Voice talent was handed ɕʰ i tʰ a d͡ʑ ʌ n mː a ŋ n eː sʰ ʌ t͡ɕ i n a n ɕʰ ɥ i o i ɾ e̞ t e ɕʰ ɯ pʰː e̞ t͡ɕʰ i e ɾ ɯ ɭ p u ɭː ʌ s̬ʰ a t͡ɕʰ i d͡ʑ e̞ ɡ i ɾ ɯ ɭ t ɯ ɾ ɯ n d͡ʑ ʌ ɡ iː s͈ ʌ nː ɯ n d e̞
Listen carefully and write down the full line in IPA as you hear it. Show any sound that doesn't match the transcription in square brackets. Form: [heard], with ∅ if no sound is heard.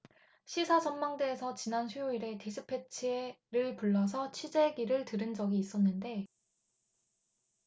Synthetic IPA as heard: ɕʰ i [sʰ] a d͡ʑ ʌ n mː a ŋ [d] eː sʰ ʌ t͡ɕ i n a n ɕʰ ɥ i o i ɾ e̞ t e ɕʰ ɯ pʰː e̞ t͡ɕʰ i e ɾ ɯ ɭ p u ɭː ʌ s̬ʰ [ʌ] t͡ɕʰ i d͡ʑ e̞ ɡ i ɾ ɯ ɭ t ɯ ɾ ɯ n d͡ʑ ʌ ɡ iː s͈ ʌ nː ɯ n d e̞

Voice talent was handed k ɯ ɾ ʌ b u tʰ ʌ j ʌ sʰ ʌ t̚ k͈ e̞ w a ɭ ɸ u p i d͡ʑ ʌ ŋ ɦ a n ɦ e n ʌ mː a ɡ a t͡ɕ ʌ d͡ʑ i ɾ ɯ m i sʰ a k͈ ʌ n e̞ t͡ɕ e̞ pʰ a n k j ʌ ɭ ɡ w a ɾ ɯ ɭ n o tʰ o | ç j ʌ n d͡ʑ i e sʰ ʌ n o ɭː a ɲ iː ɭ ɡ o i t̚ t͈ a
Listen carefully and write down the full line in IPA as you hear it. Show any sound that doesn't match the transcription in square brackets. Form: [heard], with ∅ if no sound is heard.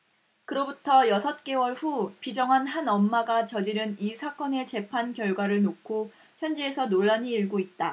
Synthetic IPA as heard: k ɯ ɾ ʌ b u tʰ ʌ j ʌ sʰ ʌ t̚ k͈ e̞ w [ʌ] ɭ ɸ u p i d͡ʑ ʌ ŋ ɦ a n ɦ [a] n ʌ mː a ɡ a t͡ɕ ʌ d͡ʑ i ɾ ɯ [n] i sʰ a k͈ ʌ n e̞ t͡ɕ e̞ pʰ a n k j ʌ ɭ ɡ w a ɾ ɯ ɭ n o [kʰ] o | ç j ʌ n d͡ʑ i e sʰ ʌ n o ɭː a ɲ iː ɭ ɡ o i t̚ t͈ a

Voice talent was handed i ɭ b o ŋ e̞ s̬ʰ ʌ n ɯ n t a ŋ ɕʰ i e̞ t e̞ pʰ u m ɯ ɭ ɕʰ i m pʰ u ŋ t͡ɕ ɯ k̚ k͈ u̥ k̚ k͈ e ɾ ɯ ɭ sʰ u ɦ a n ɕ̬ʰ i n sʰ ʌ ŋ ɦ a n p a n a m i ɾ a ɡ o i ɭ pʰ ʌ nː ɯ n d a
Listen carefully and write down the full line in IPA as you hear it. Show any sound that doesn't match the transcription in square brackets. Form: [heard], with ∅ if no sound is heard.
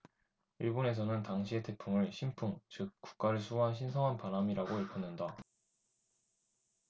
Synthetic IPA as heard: i ɭ b o [n] e̞ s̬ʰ ʌ n ɯ n t a ŋ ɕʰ i e̞ t e̞ pʰ u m ɯ ɭ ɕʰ i m pʰ u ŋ t͡ɕ ɯ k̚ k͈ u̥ k̚ k͈ [a] ɾ ɯ ɭ sʰ u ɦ a n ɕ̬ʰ i n sʰ ʌ ŋ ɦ a n p a n a m i ɾ a ɡ o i ɭ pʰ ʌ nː ɯ n d a

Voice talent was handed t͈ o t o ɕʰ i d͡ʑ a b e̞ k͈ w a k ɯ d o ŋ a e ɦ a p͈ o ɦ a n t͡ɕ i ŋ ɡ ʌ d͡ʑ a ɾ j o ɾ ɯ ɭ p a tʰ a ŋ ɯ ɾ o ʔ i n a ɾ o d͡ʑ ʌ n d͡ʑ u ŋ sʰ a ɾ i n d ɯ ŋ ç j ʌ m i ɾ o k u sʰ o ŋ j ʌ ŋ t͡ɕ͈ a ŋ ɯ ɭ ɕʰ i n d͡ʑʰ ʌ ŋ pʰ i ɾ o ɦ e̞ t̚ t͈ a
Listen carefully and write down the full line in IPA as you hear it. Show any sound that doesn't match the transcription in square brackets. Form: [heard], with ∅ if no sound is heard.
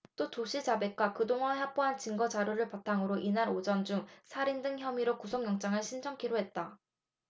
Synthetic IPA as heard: t͈ o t o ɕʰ i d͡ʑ a b e̞ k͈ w a k ɯ d o ŋ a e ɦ a p͈ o ɦ a n t͡ɕ i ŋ ɡ ʌ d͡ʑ a ɾ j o ɾ ɯ ɭ p a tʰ a ŋ ɯ ɾ o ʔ i n a ɾ o d͡ʑ ʌ n d͡ʑ u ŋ sʰ a ɾ i n d ɯ ŋ ç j ʌ m i ɾ o k u sʰ o ŋ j ʌ ŋ t͡ɕ͈ a ŋ ɯ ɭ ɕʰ i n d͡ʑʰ ʌ ŋ [kʰ] i ɾ o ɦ e̞ t̚ t͈ a

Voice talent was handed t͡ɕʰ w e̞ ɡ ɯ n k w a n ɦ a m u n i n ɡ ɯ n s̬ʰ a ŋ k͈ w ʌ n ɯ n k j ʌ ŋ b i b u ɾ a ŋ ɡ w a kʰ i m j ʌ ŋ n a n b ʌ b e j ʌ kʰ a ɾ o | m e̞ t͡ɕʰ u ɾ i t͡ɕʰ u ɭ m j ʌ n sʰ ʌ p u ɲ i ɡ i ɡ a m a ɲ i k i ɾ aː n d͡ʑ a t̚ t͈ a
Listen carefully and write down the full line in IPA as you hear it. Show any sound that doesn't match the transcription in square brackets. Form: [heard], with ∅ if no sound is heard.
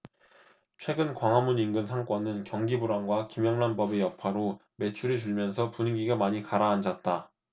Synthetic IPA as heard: t͡ɕʰ w e̞ ɡ ɯ n k w a [ŋ] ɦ a m u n i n ɡ ɯ n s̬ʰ a ŋ k͈ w ʌ n ɯ n k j ʌ ŋ [ɡ] i b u ɾ a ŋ ɡ w a [k] i m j ʌ ŋ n a n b ʌ b e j ʌ [pʰ] a ɾ o | m e̞ t͡ɕʰ u ɾ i [t͡ɕ] u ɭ m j ʌ n sʰ ʌ p u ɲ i ɡ i ɡ a m a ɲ i k [a] ɾ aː n d͡ʑ a t̚ t͈ a

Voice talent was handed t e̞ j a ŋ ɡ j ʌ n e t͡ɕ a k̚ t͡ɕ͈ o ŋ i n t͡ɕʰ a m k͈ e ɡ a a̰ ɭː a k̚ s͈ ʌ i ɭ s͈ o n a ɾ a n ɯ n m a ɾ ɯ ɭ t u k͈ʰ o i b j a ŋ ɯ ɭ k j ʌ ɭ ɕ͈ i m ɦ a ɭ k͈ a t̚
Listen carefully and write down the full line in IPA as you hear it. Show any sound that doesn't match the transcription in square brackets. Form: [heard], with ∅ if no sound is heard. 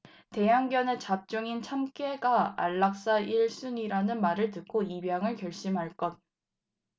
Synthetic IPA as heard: t e̞ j a ŋ ɡ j ʌ n e t͡ɕ a [p̚] t͡ɕ͈ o ŋ i n t͡ɕʰ a m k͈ e ɡ a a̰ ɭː a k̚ s͈ [a] i ɭ s͈ [u] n [i] ɾ a n ɯ n m a ɾ ɯ ɭ t [ɯ] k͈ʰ o i b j a ŋ ɯ ɭ k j ʌ ɭ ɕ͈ i m ɦ a ɭ k͈ [ʌ] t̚

